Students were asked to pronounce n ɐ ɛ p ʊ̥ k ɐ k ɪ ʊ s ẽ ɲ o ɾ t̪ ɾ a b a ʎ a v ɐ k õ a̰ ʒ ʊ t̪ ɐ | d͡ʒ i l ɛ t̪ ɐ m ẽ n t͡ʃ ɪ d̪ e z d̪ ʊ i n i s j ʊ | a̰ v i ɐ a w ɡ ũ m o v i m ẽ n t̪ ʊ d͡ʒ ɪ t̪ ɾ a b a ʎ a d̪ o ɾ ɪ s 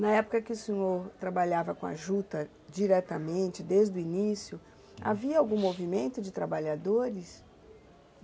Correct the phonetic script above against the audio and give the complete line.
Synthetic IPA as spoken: n ɐ ɛ p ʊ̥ k ɐ k ɪ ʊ s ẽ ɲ o ɾ t̪ ɾ a b a ʎ a v ɐ k õ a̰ ʒ u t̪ ɐ | d͡ʒ i ɾ ɛ t̪ ɐ m ẽ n t͡ʃ ɪ d̪ e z d̪ ʊ i n i s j ʊ | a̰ v i ɐ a w ɡ ũ m o v i m ẽ n t̪ ʊ d͡ʒ ɪ t̪ ɾ a b a ʎ a d̪ o ɾ ɪ s